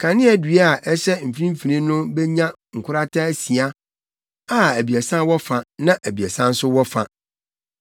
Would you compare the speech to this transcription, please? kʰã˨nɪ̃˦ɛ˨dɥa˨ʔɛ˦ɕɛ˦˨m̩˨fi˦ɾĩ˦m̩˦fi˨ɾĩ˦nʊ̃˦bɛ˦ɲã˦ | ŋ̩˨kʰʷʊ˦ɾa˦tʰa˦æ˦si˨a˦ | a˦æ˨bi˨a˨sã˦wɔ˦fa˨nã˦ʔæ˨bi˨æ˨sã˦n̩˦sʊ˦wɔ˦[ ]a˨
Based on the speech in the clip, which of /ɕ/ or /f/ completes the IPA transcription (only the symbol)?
f